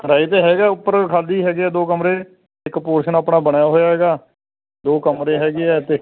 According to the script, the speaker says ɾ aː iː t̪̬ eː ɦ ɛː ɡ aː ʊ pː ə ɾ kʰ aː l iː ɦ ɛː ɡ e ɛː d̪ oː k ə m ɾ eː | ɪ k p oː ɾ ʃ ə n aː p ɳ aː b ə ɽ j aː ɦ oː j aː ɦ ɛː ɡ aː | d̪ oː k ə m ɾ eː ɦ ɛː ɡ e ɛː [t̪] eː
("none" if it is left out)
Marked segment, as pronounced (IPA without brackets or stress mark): t̪